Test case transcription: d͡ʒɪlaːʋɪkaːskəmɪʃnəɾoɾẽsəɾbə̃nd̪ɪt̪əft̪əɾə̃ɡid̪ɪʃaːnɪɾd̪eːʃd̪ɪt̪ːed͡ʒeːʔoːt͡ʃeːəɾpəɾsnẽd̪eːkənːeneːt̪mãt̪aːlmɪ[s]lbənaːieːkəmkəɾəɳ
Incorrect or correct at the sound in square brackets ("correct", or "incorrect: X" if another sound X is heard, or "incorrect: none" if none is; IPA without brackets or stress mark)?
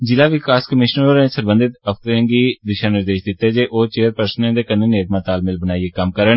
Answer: incorrect: none